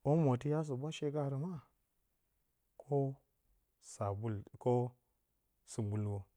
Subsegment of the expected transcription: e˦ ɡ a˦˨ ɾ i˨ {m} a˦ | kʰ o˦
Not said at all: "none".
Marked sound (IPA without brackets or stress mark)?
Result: m